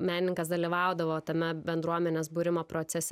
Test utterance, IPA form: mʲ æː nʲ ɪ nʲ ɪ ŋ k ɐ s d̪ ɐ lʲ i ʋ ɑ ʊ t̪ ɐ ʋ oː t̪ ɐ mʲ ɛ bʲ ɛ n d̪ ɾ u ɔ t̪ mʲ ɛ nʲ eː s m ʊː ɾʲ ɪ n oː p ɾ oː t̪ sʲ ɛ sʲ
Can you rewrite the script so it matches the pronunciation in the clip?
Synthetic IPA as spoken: mʲ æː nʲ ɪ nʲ ɪ ŋ k ɐ s d̪ ɐ lʲ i ʋ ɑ ʊ d̪ ɐ ʋ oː t̪ ɐ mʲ ɛ bʲ ɛ n d̪ ɾ u ɔ mʲ ɛ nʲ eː s b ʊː ɾʲ ɪ m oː p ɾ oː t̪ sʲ ɛ sʲ